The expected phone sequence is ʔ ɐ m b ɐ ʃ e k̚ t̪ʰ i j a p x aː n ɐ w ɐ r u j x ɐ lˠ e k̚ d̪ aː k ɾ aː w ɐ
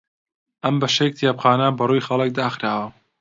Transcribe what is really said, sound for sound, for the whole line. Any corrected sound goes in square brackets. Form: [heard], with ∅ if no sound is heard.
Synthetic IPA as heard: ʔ ɐ m b ɐ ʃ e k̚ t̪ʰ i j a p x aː n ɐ [b] ɐ r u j x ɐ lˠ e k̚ d̪ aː [x] ɾ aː w ɐ